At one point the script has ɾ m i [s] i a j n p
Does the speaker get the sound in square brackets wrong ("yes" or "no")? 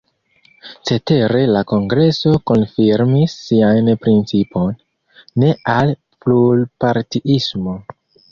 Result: yes